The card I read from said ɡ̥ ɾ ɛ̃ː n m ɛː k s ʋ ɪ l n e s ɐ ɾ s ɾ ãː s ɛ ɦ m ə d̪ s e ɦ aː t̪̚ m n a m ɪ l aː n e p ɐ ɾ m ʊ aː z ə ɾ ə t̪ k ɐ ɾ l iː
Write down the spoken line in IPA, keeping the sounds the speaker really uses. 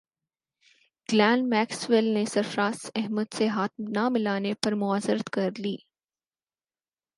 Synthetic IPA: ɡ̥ l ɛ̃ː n m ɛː k s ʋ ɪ l n e s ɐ ɾ f ɾ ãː s ɛ ɦ m ə d̪ s e ɦ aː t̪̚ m n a m ɪ l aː n e p ɐ ɾ m ʊ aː z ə ɾ ə t̪ k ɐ ɾ l iː